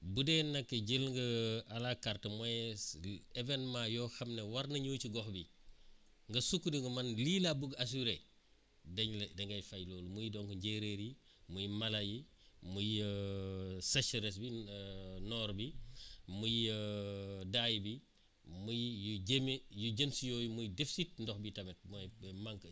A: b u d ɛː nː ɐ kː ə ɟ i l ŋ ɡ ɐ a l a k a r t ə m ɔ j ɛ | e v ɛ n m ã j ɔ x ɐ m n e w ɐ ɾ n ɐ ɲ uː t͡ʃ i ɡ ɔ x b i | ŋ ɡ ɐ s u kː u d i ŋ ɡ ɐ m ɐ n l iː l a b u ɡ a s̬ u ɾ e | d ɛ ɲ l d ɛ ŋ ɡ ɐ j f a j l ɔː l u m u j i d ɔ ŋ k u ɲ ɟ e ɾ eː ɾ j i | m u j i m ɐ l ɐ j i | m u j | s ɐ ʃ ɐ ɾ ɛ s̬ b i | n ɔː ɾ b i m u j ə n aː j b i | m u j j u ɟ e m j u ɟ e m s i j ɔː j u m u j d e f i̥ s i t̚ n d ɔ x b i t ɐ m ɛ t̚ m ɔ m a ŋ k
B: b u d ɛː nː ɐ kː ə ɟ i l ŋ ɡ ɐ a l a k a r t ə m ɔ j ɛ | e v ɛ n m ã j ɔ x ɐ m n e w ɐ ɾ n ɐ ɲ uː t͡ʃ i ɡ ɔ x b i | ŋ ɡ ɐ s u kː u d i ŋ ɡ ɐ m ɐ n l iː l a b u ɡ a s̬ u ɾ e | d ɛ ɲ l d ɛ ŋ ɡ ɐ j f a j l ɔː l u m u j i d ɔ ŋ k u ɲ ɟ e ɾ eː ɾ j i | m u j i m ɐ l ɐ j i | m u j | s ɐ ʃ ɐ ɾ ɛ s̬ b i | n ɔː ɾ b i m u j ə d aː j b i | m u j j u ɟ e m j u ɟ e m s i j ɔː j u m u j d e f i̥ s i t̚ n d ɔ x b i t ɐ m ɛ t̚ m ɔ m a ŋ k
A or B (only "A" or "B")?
B